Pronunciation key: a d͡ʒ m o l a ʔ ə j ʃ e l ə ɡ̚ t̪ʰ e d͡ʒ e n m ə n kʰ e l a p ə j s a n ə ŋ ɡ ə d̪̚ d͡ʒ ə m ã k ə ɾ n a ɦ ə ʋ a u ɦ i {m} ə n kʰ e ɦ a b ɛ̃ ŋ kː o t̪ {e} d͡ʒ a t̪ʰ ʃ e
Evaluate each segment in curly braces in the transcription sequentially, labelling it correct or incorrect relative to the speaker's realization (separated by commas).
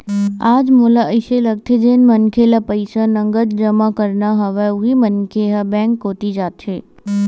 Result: correct, incorrect